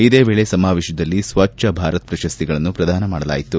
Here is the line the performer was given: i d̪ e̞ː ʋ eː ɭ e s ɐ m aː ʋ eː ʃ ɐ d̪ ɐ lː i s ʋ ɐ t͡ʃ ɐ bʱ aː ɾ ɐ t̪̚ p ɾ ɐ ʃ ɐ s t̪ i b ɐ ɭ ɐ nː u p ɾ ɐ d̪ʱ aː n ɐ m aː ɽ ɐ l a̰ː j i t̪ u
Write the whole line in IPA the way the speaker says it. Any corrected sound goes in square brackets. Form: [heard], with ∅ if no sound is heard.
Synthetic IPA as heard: i d̪ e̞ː ʋ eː ɭ e s ɐ m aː ʋ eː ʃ ɐ d̪ ɐ lː i s ʋ ɐ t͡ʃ ɐ bʱ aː ɾ ɐ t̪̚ p ɾ ɐ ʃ ɐ s t̪ i [ɡ] ɐ ɭ ɐ nː u p ɾ ɐ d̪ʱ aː n ɐ m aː ɽ ɐ l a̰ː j i t̪ u